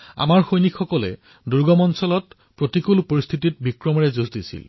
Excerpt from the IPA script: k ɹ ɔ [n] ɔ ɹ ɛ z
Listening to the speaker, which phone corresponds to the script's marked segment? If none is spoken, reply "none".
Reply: m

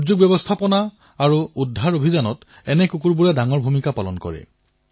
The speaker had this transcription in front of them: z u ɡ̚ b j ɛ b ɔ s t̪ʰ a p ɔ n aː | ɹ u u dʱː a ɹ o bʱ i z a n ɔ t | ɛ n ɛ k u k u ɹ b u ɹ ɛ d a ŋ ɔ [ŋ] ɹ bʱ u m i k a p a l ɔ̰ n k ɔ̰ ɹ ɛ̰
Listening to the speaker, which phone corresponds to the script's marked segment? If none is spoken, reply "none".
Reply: none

